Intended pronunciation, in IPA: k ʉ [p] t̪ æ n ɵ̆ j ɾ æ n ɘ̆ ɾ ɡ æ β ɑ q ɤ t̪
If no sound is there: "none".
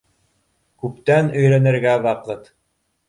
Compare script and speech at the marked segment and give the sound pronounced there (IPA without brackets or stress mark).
p